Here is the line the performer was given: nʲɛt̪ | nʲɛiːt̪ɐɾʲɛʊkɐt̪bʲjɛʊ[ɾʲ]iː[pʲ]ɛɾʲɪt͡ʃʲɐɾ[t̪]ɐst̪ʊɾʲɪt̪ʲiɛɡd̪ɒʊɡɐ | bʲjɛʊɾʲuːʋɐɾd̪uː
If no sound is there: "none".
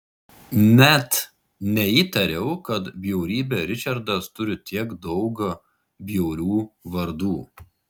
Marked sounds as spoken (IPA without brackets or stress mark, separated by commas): ɾʲ, bʲ, d̪